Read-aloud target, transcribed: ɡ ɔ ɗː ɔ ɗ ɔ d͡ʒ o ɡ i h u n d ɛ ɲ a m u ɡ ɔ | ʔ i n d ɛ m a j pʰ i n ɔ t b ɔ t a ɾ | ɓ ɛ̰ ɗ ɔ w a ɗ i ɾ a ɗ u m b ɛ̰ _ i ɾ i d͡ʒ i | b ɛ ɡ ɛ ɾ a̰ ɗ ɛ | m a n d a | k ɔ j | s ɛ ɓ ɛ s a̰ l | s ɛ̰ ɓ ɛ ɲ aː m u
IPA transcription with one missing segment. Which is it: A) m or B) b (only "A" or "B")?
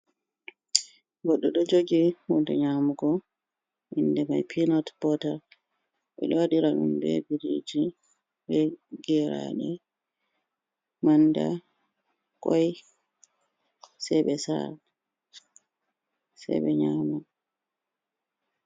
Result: B